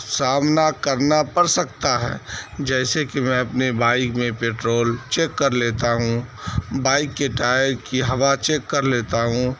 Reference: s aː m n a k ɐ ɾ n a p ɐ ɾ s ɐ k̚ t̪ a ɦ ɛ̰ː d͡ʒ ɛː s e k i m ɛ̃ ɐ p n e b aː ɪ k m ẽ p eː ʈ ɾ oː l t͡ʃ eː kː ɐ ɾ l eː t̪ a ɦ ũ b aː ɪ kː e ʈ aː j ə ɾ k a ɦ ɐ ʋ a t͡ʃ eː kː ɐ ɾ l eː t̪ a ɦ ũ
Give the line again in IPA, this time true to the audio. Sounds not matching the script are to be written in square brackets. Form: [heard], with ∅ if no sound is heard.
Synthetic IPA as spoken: s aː m n a k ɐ ɾ n a p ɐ ɾ s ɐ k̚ t̪ a ɦ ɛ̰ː d͡ʒ ɛː s e k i m ɛ̃ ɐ p n e b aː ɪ k m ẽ p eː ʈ ɾ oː l t͡ʃ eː kː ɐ ɾ l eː t̪ a ɦ ũ b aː ɪ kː e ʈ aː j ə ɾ k [i] ɦ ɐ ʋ a t͡ʃ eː kː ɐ ɾ l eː t̪ a ɦ ũ